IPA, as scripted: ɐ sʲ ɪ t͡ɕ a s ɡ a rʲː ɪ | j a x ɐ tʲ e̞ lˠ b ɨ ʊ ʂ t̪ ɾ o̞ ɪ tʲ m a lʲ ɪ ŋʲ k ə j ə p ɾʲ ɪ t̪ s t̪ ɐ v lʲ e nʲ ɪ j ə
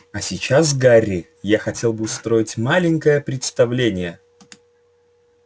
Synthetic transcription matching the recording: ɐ sʲ ɪ t͡ɕ a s ɡ a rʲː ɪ | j a x ɐ tʲ e̞ lˠ b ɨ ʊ s t̪ ɾ o̞ ɪ tʲ m a lʲ ɪ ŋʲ k ə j ə p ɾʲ ɪ t̪ s t̪ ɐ v lʲ e nʲ ɪ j ə